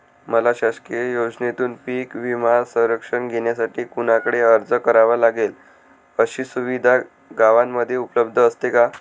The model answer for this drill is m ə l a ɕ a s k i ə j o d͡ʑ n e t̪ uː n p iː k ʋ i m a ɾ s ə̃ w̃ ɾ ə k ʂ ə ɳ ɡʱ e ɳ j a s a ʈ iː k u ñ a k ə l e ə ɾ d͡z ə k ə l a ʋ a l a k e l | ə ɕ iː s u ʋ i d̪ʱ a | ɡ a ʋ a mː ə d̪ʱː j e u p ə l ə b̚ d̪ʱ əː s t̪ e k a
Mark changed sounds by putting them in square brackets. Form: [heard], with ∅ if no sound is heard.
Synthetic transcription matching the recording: m ə l a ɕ a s k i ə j o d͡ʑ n e t̪ uː n p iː k ʋ i m a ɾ s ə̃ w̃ ɾ ə k ʂ ə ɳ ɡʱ e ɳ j a s a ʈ iː k u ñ a k ə [ɽ] e ə ɾ d͡z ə k ə [ɾ] a ʋ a l a [ɡ] e l | ə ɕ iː s u ʋ i d̪ʱ a | ɡ a ʋ a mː ə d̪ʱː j e u p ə l ə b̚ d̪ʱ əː s t̪ e k a